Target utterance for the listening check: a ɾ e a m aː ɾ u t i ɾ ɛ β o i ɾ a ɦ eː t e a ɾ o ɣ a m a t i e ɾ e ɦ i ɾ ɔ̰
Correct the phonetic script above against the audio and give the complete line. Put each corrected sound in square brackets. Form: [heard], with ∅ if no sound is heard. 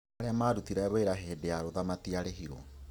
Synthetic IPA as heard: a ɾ e a m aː ɾ u t i ɾ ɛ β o [e] ɾ a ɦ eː [d] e a ɾ o [ð] a m a t i [a] ɾ e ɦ i ɾ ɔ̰